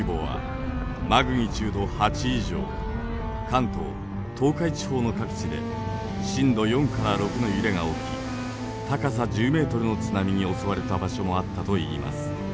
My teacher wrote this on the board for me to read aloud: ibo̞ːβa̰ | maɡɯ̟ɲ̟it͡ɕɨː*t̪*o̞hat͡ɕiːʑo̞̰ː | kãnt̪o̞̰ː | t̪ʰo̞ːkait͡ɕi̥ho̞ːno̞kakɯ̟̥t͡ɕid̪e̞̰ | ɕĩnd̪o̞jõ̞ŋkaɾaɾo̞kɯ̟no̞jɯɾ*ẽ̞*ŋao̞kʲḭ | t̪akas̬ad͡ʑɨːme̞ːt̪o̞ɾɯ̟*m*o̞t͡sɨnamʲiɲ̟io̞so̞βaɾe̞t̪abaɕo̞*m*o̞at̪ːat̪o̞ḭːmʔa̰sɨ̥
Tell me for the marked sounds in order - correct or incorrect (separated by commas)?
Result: incorrect, incorrect, incorrect, correct